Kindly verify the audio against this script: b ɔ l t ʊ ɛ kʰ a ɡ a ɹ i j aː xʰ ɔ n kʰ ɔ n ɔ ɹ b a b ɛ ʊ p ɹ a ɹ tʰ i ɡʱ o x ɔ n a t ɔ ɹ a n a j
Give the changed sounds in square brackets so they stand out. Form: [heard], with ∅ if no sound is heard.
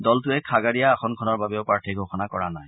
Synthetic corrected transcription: [d] ɔ l t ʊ ɛ kʰ a ɡ a ɹ i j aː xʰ ɔ n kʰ ɔ n ɔ ɹ b a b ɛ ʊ p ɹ a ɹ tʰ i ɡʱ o x ɔ n a [k] ɔ ɹ a n a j